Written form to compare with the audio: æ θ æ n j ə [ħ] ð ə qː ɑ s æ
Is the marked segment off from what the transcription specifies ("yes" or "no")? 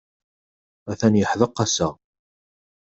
no